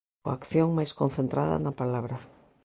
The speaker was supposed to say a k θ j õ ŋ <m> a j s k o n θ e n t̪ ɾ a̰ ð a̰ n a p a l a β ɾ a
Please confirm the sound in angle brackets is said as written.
yes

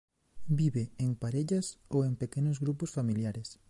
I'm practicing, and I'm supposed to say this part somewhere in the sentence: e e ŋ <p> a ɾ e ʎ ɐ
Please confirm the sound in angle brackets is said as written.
yes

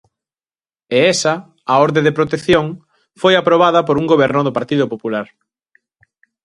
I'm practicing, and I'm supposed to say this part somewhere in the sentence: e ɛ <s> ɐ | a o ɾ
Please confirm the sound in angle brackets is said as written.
yes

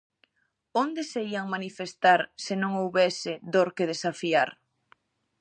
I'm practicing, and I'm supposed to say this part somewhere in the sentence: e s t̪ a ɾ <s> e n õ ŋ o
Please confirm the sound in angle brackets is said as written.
yes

